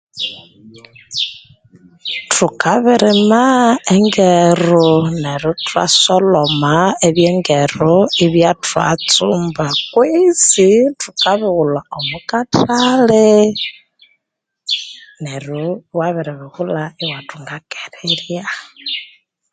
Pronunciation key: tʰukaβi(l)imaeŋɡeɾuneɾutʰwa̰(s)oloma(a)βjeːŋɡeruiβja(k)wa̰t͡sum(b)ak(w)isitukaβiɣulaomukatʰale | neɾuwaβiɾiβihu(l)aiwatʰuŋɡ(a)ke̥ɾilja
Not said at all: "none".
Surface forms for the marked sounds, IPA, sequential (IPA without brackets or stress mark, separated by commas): ɾ, s, e, t, b, w, l, a